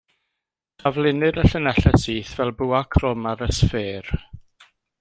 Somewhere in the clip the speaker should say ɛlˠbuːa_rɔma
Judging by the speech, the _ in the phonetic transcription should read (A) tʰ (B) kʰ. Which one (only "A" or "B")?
B